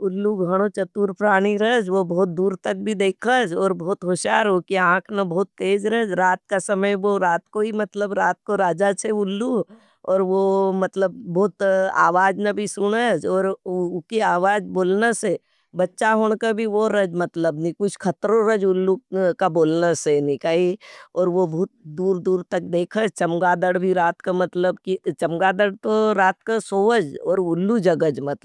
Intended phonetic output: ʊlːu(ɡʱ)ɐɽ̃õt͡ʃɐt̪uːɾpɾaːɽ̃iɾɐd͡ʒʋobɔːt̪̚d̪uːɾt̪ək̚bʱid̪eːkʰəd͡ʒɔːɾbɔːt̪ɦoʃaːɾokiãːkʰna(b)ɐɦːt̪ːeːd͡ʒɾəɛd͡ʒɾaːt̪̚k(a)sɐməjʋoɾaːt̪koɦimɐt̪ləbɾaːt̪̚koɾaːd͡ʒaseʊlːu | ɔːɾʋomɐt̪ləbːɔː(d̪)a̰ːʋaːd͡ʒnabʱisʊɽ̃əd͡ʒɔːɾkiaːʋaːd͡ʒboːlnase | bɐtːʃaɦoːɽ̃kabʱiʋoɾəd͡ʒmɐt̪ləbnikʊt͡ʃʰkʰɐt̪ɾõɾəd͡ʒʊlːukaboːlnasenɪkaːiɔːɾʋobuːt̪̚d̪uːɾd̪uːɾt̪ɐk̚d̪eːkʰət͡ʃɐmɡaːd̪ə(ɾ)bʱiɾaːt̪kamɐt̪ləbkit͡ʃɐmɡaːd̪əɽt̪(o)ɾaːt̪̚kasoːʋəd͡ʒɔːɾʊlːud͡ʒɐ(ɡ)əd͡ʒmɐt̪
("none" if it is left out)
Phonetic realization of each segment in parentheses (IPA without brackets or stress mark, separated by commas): ɡʱ, b, a, t̪, ɽ, o, ɡ